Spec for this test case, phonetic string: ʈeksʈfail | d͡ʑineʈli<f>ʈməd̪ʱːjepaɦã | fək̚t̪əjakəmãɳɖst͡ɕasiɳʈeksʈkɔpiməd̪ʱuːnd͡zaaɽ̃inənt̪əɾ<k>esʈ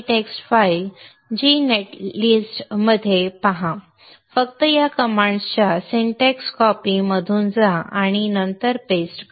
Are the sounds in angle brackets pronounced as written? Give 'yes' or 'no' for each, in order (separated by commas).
no, no